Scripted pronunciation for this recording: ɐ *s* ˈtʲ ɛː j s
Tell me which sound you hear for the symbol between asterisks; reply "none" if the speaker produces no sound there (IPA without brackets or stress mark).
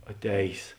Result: none